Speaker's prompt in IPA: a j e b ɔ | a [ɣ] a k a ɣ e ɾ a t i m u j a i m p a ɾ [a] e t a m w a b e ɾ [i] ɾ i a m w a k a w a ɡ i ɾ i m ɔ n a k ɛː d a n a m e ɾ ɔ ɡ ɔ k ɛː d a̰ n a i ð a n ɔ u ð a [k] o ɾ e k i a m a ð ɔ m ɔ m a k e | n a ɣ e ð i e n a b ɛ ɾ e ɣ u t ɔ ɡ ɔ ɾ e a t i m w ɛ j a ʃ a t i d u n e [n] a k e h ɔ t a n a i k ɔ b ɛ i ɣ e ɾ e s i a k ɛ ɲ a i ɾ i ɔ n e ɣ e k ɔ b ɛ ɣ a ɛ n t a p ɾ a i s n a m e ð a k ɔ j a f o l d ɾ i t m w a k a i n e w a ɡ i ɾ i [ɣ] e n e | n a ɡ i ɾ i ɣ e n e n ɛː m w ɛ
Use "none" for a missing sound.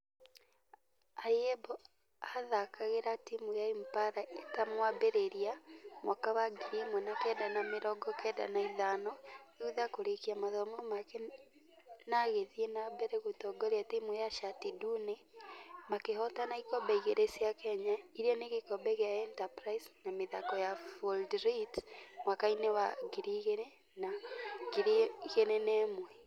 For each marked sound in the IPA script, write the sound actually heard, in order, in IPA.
ð, a, e, k, m, ɣ

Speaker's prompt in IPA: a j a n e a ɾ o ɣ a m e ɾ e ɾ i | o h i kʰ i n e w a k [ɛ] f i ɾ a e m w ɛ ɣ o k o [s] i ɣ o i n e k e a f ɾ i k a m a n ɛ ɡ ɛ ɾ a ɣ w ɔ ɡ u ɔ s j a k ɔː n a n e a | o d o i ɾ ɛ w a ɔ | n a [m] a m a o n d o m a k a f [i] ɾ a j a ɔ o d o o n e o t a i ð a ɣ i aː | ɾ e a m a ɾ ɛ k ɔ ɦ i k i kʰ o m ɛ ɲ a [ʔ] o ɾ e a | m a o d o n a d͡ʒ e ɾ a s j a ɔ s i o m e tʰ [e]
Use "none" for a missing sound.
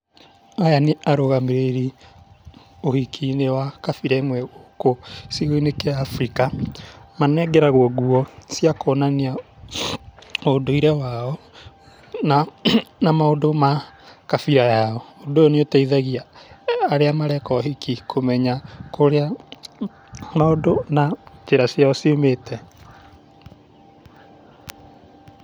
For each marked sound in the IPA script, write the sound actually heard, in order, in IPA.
a, s, n, i, k, ɛ

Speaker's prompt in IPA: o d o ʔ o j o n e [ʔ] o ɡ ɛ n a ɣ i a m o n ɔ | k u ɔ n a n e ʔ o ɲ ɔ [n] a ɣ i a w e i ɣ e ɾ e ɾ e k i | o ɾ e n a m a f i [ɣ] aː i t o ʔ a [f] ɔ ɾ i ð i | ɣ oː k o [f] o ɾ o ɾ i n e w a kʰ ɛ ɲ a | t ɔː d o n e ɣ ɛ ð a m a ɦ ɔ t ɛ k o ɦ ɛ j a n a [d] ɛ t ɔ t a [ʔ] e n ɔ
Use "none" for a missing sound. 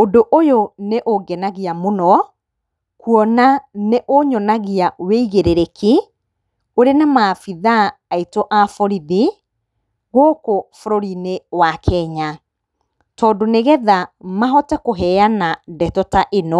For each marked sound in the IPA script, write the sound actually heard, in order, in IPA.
ʔ, n, ð, f, f, d, ʔ

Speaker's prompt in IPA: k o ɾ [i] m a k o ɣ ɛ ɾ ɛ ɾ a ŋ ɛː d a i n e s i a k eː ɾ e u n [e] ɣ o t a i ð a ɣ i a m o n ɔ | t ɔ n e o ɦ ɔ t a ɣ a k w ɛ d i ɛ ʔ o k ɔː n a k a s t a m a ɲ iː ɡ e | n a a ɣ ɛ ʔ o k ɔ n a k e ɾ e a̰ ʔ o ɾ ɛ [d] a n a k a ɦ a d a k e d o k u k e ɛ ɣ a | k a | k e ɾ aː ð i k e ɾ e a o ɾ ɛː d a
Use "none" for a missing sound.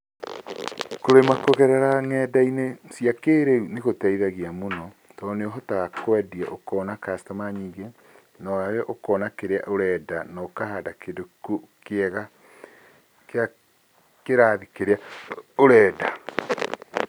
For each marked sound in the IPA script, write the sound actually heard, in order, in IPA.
e, e, d

